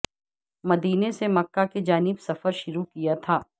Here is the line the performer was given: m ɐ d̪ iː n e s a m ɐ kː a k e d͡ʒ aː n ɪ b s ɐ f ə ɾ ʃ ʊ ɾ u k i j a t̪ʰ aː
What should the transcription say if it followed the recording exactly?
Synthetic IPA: m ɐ d̪ iː n e s e m ɐ kː a k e d͡ʒ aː n ɪ b s ɐ f ə ɾ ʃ ʊ ɾ u k i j a t̪ʰ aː